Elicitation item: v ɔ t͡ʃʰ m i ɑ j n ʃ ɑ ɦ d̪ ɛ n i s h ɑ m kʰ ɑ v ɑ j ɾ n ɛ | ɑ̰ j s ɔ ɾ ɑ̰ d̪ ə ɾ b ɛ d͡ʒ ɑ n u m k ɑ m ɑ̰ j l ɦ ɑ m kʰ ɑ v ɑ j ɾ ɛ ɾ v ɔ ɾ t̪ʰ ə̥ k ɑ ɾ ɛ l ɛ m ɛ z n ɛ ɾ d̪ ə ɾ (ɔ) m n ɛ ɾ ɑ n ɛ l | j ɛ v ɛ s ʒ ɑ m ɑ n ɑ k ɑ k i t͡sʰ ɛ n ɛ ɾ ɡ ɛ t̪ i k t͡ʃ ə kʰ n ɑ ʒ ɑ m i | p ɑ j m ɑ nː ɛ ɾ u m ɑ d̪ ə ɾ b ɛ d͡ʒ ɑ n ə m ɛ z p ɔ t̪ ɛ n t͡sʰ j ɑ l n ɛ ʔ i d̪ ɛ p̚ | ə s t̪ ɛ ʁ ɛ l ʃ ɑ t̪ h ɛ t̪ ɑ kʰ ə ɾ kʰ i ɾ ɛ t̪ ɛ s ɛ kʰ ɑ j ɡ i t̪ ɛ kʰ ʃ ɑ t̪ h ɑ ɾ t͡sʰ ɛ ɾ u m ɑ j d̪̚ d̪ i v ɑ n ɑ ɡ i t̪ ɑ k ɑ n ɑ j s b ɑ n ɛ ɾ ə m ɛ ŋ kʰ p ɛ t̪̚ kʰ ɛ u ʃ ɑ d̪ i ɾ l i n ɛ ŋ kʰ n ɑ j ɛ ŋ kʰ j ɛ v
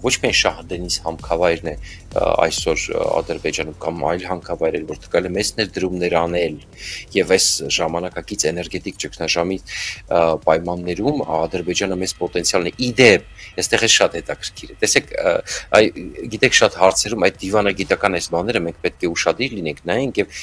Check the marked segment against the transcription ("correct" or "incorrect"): incorrect